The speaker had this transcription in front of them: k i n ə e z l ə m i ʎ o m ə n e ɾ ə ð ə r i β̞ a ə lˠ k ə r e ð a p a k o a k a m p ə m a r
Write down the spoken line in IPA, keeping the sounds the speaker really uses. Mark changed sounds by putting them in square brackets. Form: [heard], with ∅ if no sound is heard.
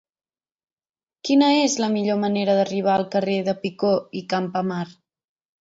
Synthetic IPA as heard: k i n ə e z l ə m i ʎ o m ə n e ɾ ə ð ə r i β̞ a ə lˠ k ə r e ð [ə] p [i] k o [i] k a m p ə m a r